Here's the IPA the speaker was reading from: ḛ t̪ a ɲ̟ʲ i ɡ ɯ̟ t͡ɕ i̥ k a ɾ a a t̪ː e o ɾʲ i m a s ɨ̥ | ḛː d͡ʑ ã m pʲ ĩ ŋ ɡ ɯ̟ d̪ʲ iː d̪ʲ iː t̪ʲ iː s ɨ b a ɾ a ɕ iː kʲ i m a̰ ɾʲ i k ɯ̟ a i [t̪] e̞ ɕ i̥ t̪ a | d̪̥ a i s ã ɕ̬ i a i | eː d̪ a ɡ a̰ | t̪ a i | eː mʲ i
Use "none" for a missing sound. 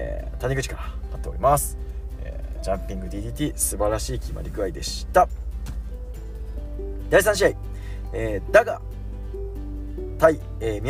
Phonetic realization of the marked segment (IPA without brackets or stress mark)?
d̪